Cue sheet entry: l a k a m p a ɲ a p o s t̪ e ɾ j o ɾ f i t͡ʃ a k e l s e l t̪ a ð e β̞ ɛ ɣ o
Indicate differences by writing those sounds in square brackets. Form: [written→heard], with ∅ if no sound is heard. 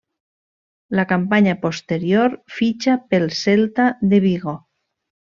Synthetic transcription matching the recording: l a k a m p a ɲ a p o s t̪ e ɾ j o ɾ f i t͡ʃ a [k→p] e l s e l t̪ a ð e β̞ [ɛ→i] ɣ o